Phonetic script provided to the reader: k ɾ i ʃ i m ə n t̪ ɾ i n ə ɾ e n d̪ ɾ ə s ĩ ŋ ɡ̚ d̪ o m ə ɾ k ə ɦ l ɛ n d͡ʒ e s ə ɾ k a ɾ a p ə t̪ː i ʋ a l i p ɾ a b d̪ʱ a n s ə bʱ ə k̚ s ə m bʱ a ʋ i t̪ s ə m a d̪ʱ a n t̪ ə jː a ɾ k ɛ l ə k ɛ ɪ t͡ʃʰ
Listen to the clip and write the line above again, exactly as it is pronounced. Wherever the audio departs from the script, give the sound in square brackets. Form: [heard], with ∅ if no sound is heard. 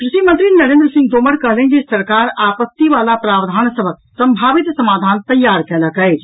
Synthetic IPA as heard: k ɾ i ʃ i m ə n t̪ ɾ i n ə ɾ e n d̪ ɾ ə s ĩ ŋ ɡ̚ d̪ o m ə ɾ k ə ɦ l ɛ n d͡ʒ e s ə ɾ k a ɾ a p ə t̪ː i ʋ a l [a] p ɾ a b d̪ʱ a n s ə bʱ ə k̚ s ə m bʱ a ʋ i t̪ s ə m a d̪ʱ a n t̪ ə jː a ɾ k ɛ l ə k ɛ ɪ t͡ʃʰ